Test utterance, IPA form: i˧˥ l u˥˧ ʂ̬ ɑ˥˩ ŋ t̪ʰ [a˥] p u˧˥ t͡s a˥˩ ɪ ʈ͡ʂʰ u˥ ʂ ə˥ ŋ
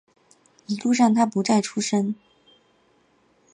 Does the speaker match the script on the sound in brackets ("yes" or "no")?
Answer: yes